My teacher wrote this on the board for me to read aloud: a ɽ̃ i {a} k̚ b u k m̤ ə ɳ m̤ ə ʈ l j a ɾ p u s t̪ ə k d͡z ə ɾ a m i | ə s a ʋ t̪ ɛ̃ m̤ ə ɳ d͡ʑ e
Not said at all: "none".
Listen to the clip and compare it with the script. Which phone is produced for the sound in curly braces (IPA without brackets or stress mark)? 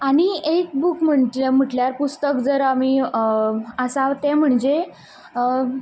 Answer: e